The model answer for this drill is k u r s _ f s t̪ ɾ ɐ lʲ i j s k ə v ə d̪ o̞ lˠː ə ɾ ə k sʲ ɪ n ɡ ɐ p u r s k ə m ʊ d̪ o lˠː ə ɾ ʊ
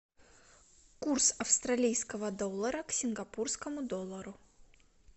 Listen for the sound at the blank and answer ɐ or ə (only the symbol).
ɐ